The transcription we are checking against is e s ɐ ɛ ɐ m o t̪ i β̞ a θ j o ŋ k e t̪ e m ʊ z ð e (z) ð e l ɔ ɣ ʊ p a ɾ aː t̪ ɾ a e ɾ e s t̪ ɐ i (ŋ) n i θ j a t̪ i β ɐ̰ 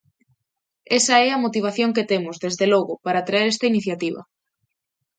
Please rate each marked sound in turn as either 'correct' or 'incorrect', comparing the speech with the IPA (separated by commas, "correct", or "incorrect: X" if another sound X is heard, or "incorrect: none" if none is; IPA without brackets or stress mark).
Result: correct, incorrect: none